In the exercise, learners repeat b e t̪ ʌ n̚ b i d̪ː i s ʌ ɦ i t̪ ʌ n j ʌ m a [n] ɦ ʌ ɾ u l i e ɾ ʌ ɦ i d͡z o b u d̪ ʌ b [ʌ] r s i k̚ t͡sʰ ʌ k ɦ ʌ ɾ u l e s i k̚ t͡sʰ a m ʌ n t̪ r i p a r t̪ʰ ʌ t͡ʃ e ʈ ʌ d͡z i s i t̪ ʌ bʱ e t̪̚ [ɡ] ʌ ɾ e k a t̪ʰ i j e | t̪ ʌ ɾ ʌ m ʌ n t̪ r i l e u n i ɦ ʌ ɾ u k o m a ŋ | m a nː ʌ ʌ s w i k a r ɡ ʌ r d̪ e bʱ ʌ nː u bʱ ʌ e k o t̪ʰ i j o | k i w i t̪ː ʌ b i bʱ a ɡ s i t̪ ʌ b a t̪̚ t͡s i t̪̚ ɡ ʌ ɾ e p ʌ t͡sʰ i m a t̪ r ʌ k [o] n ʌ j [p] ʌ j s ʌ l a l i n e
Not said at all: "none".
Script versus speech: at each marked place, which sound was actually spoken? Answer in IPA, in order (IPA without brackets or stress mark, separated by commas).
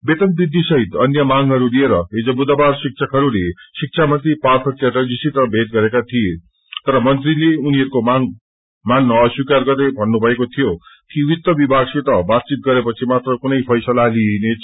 ŋ, a, ɡ, u, pʰ